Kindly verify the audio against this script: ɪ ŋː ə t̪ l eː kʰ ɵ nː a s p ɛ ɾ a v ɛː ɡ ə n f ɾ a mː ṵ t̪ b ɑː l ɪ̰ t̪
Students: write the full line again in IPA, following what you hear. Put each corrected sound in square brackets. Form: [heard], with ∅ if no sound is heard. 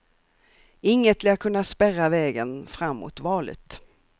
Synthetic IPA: ɪ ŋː ə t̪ l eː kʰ ɵ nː a s p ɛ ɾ a v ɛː ɡ ə n f ɾ a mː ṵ t̪ [v] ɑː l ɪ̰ t̪